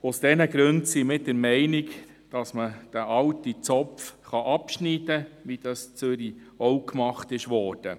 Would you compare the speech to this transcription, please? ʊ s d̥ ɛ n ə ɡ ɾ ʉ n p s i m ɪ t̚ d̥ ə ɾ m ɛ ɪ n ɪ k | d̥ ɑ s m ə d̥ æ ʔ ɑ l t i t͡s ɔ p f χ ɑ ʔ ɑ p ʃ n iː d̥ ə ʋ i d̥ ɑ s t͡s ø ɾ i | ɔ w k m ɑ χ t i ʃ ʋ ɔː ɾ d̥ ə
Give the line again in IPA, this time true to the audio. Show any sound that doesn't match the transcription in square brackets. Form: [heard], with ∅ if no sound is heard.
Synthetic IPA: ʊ s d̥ ɛ n ə ɡ ɾ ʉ n [t] s i m ɪ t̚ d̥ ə ɾ m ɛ ɪ n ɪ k | d̥ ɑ s m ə d̥ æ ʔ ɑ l t i t͡s ɔ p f χ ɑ ʔ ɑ p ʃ n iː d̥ ə ʋ i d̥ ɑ s t͡s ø ɾ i | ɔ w k m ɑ χ t [ɪ] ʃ ʋ ɔː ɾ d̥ ə